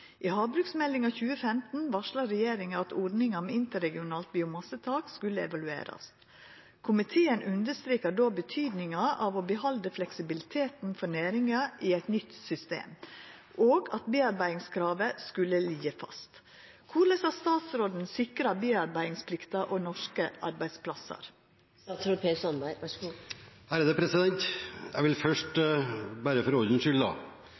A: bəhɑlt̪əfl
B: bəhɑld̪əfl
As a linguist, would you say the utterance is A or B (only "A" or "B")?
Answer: B